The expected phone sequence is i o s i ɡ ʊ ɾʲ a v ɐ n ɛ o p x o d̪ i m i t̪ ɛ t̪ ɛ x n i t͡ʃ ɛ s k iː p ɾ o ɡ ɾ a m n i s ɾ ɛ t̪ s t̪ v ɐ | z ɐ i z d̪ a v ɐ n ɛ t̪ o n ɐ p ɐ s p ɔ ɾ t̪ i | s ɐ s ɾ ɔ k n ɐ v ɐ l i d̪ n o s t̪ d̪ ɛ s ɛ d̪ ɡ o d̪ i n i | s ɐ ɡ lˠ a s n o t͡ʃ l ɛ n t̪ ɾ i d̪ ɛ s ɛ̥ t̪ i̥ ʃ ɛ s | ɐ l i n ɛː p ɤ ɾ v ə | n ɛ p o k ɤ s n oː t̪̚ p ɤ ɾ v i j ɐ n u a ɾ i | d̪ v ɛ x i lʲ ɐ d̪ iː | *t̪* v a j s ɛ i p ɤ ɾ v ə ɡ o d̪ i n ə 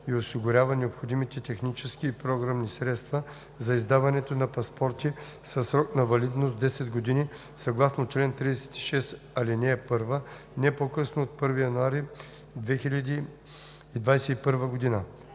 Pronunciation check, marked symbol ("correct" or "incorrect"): incorrect